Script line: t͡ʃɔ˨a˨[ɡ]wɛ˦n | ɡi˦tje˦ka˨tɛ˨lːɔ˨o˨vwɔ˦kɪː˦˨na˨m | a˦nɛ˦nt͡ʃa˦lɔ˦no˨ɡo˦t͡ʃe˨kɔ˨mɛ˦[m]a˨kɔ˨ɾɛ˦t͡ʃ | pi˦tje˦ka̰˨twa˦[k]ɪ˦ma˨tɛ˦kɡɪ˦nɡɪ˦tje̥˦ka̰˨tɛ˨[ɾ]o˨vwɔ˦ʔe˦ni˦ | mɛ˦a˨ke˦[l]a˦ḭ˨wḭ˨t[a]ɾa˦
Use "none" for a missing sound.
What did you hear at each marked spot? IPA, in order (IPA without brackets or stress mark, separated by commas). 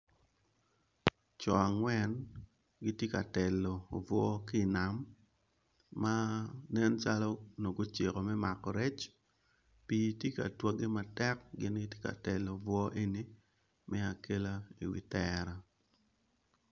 ŋ, m, ɡ, l, l, ɛ